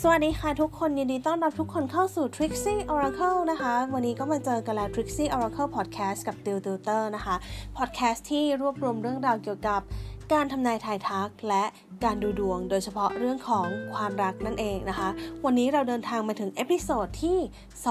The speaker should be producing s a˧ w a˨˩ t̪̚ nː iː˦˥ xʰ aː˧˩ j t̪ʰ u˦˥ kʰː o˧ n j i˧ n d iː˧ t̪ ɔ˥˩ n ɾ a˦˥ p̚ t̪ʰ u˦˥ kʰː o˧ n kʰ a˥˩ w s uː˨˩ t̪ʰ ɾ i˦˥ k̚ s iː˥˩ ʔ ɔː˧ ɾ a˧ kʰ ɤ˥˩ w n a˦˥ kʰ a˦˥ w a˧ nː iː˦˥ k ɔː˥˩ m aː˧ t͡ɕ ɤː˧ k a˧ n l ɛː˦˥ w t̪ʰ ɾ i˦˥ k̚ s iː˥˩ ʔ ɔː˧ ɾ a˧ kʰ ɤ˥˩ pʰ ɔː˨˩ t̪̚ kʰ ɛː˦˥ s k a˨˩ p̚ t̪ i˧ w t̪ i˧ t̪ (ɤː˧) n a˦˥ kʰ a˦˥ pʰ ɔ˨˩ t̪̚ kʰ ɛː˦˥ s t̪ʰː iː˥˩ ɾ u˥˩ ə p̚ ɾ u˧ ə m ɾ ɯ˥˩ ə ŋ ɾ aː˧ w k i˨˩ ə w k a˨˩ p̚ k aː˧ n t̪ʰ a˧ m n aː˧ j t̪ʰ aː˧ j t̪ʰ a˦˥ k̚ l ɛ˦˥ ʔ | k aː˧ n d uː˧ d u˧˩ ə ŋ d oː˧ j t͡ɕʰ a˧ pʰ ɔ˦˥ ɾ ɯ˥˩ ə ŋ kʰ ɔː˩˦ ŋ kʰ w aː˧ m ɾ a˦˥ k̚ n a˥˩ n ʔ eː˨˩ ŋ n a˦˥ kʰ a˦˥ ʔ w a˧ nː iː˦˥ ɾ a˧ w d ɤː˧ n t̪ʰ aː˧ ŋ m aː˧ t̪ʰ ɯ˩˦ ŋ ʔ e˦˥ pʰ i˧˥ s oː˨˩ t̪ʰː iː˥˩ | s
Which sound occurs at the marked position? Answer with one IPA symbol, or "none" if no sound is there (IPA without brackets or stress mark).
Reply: ɤː˥˩